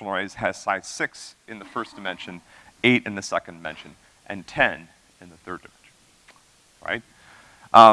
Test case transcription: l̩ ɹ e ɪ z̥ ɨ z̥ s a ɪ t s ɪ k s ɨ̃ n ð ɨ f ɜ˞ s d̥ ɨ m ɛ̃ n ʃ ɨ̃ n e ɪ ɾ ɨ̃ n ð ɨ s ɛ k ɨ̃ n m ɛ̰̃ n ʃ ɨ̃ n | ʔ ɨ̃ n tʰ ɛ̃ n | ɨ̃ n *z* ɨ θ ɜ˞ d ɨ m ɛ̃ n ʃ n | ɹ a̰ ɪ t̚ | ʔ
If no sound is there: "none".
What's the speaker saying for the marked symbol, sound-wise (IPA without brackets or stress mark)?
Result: ð